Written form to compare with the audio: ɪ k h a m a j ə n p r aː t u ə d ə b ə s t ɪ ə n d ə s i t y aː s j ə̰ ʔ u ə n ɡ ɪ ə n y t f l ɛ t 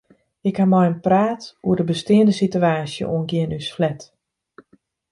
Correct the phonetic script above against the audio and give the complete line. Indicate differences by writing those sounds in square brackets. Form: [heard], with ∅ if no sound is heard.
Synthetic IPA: ɪ k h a m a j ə n p r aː t u ə d ə b ə s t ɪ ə n d ə s i t y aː s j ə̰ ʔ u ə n ɡ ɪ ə n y [s] f l ɛ t